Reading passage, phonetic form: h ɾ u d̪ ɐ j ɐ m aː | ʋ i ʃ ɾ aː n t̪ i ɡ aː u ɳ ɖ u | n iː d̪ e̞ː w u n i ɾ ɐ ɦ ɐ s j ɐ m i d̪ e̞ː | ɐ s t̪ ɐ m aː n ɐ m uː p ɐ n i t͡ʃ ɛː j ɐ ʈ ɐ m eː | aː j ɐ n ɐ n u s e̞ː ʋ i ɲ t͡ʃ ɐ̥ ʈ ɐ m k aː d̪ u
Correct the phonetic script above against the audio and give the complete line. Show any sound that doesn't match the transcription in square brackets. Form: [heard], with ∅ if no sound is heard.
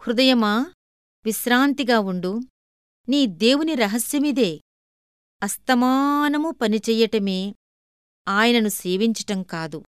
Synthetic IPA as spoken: h ɾ u d̪ ɐ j ɐ m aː | ʋ i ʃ ɾ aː n t̪ i ɡ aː u ɳ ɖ u | n iː d̪ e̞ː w u n i ɾ ɐ ɦ ɐ s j ɐ m i d̪ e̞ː | ɐ s t̪ ɐ m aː n ɐ m [u] p ɐ n i t͡ʃ ɛː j ɐ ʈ ɐ m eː | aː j ɐ n ɐ n u s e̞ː ʋ i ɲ t͡ʃ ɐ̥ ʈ ɐ m k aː d̪ u